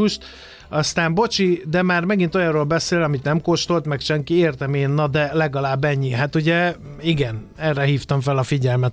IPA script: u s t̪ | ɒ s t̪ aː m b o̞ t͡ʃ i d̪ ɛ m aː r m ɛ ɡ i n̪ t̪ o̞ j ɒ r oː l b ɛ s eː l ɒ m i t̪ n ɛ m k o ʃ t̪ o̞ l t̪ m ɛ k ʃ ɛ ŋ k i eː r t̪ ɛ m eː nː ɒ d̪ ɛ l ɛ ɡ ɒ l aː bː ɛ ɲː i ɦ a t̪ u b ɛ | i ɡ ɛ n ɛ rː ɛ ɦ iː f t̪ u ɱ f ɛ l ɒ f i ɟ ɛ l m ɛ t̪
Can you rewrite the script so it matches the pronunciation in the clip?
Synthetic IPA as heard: u ʃ t̪ | ɒ s t̪ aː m b o̞ t͡ʃ i d̪ ɛ m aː r m ɛ ɡ i n̪ t̪ o̞ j ɒ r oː l b ɛ s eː l ɒ m i t̪ n ɛ m k o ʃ t̪ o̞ l t̪ m ɛ k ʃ ɛ ŋ k i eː r t̪ ɛ m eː nː ɒ d̪ ɛ l ɛ ɡ ɒ l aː bː ɛ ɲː i ɦ a t̪ u ɟ ɛ | i ɡ ɛ n ɛ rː ɛ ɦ iː f t̪ ɒ ɱ f ɛ l ɒ f i ɟ ɛ l m ɛ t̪